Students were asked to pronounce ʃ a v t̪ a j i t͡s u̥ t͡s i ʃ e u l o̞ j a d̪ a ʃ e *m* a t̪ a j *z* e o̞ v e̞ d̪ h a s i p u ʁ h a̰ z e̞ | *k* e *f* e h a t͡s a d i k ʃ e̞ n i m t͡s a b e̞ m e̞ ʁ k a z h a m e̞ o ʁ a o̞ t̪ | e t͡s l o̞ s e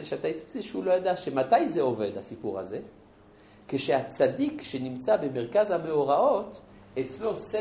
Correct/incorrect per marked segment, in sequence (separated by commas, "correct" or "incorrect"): correct, correct, correct, incorrect